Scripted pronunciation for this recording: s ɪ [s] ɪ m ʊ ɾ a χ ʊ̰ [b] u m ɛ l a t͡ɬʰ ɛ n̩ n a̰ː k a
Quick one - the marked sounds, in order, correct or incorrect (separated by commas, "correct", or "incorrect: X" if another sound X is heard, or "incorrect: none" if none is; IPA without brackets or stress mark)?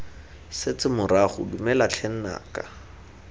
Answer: incorrect: t͡s, incorrect: d